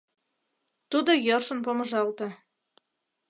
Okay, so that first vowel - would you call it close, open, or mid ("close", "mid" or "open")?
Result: close